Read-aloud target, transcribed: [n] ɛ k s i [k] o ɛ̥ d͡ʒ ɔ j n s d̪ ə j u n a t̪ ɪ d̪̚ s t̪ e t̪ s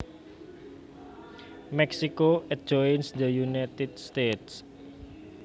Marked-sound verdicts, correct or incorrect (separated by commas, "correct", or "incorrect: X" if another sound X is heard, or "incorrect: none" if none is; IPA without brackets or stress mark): incorrect: m, correct